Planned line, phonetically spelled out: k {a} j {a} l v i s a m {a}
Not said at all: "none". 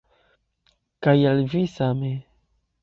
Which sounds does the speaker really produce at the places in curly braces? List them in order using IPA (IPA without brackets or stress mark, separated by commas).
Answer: a, a, e